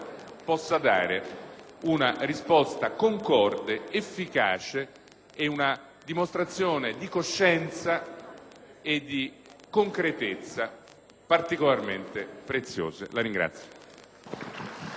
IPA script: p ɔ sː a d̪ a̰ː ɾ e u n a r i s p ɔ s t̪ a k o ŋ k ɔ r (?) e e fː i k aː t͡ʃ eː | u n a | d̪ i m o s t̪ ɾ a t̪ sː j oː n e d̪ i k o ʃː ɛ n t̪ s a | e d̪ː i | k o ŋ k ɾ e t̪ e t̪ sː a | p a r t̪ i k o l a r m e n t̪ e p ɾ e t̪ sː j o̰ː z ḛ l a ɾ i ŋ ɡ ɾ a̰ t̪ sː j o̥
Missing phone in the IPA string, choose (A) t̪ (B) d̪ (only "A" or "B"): B